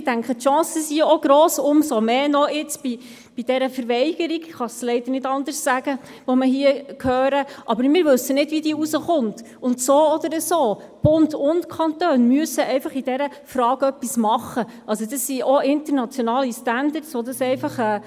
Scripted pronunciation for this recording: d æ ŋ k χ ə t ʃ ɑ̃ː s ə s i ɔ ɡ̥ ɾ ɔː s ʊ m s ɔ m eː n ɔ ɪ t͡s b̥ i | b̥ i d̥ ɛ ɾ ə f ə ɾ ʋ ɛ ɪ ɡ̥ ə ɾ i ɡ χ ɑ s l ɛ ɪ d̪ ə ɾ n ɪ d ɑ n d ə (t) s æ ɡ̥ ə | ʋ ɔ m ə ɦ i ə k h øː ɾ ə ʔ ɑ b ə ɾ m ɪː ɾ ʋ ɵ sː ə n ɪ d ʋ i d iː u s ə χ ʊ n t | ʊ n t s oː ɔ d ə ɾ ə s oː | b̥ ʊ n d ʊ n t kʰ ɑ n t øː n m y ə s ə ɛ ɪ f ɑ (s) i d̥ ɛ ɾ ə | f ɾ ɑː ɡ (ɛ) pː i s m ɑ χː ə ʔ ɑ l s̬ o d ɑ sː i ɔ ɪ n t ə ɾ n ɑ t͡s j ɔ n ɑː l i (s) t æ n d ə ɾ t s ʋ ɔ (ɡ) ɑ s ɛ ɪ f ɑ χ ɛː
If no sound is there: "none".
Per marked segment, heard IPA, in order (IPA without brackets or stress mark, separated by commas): s, χ, œ, s, d